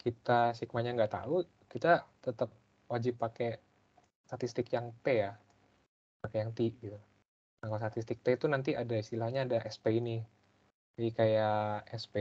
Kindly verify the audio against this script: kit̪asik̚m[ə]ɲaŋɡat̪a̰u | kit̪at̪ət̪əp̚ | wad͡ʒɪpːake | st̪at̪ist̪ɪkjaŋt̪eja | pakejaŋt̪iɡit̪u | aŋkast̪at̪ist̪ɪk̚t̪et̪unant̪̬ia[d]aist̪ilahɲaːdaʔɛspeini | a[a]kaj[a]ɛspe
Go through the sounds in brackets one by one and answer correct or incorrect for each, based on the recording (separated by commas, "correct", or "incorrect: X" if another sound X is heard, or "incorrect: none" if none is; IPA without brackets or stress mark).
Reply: incorrect: a, correct, incorrect: i, correct